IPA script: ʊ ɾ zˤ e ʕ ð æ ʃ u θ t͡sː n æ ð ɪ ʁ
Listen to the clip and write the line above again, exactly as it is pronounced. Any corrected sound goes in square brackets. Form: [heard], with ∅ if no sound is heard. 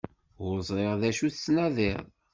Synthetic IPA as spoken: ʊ ɾ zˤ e [ʁ] ð æ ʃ u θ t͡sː n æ ð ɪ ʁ